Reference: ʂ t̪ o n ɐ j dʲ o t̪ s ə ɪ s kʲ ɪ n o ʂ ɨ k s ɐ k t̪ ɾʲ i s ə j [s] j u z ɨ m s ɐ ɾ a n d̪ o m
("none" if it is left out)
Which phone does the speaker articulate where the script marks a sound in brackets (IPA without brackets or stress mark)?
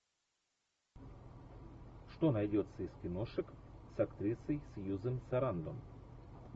s